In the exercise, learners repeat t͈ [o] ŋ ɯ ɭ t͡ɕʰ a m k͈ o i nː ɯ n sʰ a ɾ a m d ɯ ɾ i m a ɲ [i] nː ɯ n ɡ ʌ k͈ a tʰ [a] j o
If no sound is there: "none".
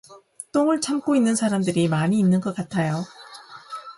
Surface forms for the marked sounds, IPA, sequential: o, iː, a

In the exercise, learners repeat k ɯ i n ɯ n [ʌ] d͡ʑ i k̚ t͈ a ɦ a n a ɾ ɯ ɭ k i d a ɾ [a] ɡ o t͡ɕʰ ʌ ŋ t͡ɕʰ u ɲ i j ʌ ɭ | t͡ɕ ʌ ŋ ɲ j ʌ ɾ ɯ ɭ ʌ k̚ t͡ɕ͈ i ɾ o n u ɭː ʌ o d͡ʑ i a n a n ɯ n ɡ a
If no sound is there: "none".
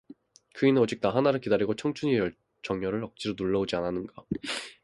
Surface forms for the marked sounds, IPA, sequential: ʌ, i

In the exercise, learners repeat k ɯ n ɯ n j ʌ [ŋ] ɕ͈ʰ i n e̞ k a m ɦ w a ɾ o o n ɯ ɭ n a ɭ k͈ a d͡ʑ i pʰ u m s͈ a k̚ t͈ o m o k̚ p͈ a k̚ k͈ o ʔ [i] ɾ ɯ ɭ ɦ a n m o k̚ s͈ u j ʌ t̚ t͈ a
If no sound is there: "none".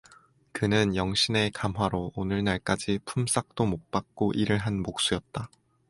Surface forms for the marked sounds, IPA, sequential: ŋ, i

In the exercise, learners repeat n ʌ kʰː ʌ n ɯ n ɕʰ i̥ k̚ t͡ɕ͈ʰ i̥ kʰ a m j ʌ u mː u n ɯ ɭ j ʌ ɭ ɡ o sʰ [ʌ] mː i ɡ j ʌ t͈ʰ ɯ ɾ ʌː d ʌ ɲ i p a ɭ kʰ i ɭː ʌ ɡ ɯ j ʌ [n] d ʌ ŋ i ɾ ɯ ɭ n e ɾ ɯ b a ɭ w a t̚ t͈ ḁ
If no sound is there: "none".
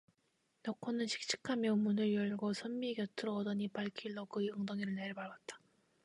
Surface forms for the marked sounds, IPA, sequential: ʌ, ŋ

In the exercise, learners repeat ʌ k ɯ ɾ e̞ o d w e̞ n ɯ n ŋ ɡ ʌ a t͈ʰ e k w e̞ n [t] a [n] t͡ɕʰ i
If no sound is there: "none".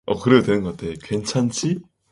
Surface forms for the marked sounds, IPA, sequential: t͡ɕʰ, n

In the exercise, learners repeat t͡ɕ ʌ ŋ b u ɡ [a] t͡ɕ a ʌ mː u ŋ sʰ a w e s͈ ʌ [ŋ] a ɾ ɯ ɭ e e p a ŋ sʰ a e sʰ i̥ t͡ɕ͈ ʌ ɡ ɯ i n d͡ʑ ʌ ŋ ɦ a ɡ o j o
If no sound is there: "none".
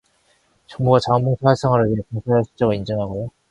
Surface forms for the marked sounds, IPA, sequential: a, ŋ

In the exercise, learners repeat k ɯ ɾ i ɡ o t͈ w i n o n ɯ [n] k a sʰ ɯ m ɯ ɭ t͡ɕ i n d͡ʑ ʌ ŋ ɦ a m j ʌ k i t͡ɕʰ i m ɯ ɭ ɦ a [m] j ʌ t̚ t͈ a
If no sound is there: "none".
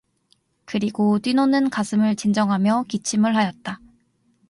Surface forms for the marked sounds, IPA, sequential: n, none

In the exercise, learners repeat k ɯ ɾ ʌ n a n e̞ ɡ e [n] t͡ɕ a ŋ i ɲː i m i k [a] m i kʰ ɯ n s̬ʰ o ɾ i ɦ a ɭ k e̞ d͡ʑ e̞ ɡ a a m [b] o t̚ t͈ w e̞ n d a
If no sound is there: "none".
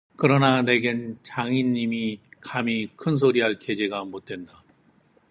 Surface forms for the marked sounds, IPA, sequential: n, a, b

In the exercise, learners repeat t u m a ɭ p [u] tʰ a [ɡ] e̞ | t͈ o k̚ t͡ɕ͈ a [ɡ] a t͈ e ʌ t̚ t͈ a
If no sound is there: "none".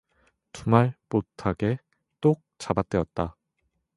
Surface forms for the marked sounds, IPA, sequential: o, ɡ, b

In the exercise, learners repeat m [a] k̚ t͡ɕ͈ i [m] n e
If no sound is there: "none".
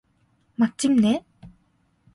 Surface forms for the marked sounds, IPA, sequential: a, m

